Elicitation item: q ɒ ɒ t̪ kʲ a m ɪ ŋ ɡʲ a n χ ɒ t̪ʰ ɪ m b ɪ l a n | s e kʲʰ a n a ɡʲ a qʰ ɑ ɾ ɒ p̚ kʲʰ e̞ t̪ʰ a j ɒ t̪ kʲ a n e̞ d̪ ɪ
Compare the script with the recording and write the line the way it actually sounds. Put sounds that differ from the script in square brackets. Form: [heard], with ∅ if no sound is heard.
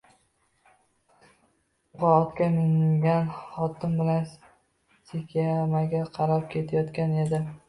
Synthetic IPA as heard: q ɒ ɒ t̪ kʲ a m ɪ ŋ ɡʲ a n χ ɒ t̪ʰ ɪ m b ɪ l a n | s e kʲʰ a [m] a ɡʲ a qʰ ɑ ɾ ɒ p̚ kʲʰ e̞ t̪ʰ a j ɒ t̪ kʲ a n e̞ d̪ ɪ